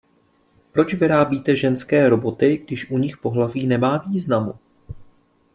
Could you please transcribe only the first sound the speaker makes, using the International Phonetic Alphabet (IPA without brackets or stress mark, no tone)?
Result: p